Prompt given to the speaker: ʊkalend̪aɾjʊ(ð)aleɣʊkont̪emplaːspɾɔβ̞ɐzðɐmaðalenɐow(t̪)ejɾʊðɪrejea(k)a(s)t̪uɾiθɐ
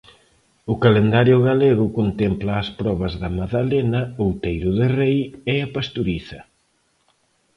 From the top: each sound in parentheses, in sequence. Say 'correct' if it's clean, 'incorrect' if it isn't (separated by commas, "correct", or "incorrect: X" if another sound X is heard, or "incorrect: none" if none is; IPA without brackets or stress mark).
incorrect: ɣ, correct, incorrect: p, correct